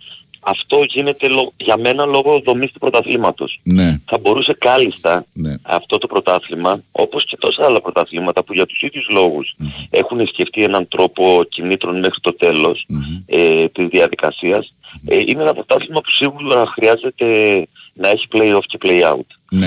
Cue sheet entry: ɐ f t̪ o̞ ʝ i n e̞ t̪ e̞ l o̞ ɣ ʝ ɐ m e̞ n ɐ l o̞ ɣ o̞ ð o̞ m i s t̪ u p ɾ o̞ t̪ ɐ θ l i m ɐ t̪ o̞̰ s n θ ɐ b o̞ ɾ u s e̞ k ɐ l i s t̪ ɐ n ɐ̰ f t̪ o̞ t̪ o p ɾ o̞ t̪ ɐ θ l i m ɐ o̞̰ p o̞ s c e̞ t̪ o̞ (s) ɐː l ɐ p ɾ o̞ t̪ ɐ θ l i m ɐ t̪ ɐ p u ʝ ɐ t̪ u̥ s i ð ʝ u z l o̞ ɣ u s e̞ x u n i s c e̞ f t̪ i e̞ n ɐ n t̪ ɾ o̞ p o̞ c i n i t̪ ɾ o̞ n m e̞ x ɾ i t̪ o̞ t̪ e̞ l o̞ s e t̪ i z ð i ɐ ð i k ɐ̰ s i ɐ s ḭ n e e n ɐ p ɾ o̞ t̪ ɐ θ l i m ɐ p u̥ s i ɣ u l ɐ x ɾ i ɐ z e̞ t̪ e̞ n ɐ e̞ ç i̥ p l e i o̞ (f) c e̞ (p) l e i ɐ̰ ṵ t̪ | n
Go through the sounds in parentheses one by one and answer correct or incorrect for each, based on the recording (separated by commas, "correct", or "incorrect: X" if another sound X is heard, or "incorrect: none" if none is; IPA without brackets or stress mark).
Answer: correct, correct, correct